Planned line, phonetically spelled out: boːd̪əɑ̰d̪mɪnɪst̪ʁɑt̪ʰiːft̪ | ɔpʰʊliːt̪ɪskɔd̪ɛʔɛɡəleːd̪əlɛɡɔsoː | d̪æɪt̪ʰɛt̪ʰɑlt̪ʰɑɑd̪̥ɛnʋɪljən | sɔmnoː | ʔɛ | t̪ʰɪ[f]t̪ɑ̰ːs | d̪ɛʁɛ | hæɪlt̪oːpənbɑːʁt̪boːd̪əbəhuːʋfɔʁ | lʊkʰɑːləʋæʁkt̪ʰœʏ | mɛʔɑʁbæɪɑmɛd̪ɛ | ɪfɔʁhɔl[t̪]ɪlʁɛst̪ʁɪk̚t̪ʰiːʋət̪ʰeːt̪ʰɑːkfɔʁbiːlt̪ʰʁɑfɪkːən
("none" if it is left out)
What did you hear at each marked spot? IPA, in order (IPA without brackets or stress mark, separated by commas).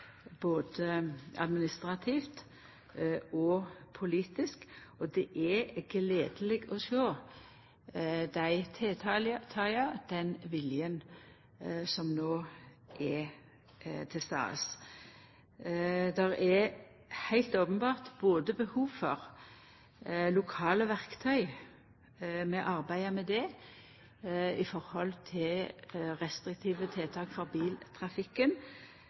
s, t̪ʰ